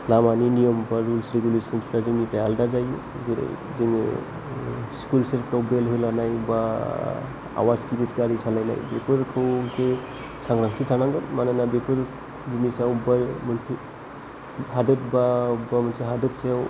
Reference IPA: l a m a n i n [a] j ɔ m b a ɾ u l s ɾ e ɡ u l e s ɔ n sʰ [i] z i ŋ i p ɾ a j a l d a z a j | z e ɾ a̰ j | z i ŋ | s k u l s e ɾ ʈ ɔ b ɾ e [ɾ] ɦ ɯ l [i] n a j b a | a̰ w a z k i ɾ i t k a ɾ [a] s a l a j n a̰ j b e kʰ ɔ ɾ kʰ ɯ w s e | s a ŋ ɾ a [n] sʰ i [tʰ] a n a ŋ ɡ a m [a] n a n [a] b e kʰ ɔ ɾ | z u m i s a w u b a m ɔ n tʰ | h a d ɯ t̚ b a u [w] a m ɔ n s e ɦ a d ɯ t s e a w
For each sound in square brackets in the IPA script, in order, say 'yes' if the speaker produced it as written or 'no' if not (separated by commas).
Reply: no, no, no, no, no, no, yes, yes, yes, no